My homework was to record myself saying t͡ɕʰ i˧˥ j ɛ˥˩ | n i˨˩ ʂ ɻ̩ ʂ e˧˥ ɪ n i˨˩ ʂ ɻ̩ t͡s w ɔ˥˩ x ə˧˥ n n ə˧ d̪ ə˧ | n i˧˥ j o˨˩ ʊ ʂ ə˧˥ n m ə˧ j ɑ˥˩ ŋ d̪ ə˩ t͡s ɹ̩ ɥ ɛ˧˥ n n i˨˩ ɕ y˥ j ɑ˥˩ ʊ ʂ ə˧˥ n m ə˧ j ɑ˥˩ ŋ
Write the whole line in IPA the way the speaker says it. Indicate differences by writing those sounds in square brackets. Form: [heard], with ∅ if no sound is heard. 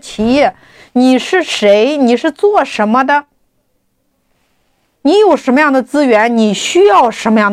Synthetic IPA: t͡ɕʰ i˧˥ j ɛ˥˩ | n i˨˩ ʂ ɻ̩ ʂ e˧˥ ɪ n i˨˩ ʂ ɻ̩ t͡s w ɔ˥˩ [ʂ] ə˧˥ n [m] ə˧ d̪ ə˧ | n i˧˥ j o˨˩ ʊ ʂ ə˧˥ n m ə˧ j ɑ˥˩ ŋ d̪ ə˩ t͡s ɹ̩ ɥ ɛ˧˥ n n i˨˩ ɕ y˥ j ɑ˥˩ ʊ ʂ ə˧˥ n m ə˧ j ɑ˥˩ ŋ